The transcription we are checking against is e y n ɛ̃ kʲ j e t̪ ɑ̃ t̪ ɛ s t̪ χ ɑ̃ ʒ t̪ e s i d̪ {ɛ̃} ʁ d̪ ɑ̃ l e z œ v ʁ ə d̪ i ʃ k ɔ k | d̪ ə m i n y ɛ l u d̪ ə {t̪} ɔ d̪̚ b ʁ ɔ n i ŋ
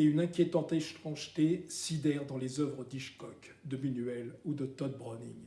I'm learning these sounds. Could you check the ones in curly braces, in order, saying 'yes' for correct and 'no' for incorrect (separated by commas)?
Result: no, yes